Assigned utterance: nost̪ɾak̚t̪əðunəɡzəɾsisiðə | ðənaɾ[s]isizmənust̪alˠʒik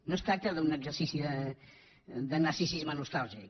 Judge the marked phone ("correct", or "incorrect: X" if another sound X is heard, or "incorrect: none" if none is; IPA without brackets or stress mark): correct